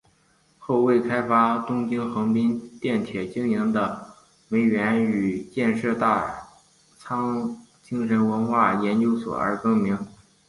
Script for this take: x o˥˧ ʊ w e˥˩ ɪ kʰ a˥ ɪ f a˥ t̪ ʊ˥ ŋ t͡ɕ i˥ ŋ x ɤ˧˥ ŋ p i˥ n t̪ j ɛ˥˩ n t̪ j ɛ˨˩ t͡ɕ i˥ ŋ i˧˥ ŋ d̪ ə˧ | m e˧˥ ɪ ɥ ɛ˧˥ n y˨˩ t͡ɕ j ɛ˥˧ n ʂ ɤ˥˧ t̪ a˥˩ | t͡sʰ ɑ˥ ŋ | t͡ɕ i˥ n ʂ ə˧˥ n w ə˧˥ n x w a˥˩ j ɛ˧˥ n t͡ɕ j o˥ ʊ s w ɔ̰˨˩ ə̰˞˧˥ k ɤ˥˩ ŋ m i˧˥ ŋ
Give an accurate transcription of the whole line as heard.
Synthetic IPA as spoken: x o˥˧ ʊ w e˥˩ ɪ kʰ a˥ ɪ f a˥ t̪ ʊ˥ ŋ t͡ɕ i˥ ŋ x ɤ˧˥ ŋ p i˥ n t̪ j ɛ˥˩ n t̪ʰ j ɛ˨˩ t͡ɕ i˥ ŋ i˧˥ ŋ d̪ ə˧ | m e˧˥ ɪ ɥ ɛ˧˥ n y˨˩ t͡ɕ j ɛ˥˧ n ʂ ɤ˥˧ t̪ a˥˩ | t͡sʰ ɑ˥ ŋ | t͡ɕ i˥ ŋ ʂ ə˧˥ n w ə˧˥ n x w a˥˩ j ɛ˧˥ n t͡ɕ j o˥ ʊ s w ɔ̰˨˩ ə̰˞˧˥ k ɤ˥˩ ŋ m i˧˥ ŋ